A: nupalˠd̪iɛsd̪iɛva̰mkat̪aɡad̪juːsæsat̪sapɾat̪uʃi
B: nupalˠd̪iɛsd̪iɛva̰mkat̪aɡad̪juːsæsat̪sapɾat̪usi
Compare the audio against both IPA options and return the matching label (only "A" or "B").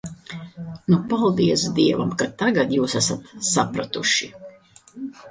A